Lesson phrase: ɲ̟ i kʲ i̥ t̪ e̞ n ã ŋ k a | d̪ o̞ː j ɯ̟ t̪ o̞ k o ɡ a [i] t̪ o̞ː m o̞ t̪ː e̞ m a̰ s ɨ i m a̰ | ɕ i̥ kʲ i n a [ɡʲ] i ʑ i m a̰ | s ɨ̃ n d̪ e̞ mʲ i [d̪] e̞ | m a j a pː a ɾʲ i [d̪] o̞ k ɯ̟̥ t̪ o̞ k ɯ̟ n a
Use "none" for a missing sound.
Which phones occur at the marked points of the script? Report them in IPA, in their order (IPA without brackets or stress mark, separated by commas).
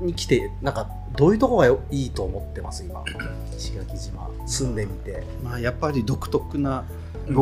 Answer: iː, kʲ, t̪, d̪